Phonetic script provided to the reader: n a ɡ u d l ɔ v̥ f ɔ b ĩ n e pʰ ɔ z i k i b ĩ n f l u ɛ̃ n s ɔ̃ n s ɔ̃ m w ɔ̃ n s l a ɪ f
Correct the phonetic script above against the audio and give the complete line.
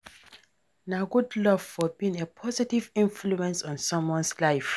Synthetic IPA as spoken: n a ɡ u d l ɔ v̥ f ɔ b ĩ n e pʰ ɔ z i t i v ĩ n f l u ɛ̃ n s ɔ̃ n s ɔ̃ m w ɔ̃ n s l a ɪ f